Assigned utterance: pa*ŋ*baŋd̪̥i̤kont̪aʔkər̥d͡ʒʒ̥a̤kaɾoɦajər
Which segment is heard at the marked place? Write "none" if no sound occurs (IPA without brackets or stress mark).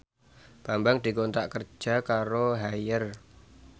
m